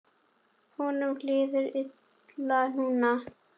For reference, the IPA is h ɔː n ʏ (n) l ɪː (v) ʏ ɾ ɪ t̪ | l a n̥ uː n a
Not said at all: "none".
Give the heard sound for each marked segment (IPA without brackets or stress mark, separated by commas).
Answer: m, ð